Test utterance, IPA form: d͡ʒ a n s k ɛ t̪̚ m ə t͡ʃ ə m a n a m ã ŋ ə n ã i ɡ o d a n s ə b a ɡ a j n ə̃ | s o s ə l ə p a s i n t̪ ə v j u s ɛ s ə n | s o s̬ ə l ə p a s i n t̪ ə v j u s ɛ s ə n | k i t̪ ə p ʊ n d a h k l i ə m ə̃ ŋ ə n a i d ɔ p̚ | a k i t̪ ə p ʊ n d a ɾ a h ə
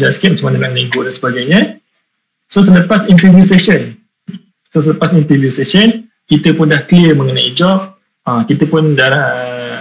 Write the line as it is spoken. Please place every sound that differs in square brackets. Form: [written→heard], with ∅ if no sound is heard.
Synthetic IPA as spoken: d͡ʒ a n s k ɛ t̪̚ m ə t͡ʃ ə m a n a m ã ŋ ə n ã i ɡ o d a n s ə b a ɡ a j [n→ɲ] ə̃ | s o s ə l ə p a s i n t̪ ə v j u s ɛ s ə n | s o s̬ ə l ə p a s i n t̪ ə v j u s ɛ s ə n | k i t̪ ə p ʊ n d a h k l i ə m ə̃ ŋ ə n a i [d→d͡ʒ] ɔ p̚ | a k i t̪ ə p ʊ n d a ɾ a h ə